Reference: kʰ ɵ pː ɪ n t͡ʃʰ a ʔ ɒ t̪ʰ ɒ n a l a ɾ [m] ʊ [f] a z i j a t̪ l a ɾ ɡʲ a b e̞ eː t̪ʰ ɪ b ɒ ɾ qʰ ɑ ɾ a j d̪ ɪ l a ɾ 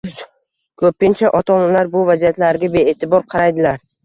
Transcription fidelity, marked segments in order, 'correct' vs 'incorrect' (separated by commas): incorrect, incorrect